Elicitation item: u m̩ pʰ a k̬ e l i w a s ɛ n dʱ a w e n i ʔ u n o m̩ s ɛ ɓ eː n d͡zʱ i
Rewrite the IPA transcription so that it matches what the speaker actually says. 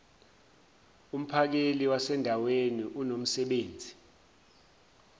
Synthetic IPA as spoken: u m̩ pʰ a k̬ e l i w a s ɛ n dʱ a w e n i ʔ u n o m̩ s ɛ ɓ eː n d͡zʱ i